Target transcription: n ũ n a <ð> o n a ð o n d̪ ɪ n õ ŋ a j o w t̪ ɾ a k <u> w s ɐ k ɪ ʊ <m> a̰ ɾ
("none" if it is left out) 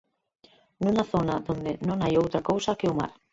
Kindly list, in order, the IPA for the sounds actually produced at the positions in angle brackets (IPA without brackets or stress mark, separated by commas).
θ, o, m